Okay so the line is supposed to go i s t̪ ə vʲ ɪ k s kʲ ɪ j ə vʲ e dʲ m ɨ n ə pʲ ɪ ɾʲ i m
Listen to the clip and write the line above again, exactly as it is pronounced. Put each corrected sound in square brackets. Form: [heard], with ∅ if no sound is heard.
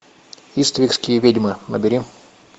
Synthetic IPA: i s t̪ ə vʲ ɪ k s kʲ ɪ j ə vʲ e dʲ m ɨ n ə [bʲ] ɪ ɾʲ i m